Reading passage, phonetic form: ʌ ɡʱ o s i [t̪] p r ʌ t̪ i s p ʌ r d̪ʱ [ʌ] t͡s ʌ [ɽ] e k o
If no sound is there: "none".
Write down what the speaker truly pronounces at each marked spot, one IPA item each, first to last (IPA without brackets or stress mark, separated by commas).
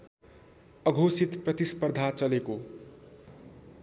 t̪, a, l